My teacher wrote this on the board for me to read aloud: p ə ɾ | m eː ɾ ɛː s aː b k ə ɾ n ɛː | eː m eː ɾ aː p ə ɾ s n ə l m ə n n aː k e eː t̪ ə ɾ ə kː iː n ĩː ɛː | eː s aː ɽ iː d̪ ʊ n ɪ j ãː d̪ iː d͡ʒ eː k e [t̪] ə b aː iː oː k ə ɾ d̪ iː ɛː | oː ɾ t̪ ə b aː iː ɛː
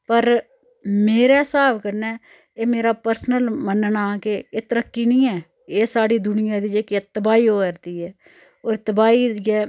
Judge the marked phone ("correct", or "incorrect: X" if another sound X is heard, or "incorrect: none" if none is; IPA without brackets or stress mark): correct